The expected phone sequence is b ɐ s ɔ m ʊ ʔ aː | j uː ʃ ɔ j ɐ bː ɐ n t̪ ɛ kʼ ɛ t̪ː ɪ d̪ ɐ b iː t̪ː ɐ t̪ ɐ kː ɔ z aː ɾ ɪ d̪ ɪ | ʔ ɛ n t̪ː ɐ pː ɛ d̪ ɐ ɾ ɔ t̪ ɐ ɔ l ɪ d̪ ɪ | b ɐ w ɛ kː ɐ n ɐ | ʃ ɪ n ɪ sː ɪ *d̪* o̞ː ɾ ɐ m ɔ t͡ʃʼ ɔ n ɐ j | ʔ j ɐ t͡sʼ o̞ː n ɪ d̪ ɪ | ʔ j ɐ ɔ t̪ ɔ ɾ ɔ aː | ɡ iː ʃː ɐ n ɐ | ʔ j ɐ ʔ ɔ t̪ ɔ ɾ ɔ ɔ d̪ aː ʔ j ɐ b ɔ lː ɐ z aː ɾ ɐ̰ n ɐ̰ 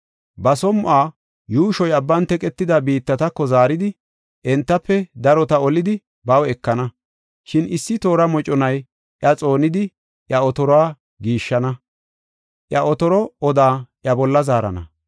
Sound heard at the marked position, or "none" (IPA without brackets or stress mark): t̪